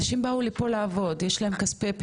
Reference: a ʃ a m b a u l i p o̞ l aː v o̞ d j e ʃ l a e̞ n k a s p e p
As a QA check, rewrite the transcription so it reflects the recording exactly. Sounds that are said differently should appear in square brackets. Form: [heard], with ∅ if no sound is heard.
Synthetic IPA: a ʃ [i] m b a u l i p o̞ l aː v o̞ d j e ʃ l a e̞ [m] k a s p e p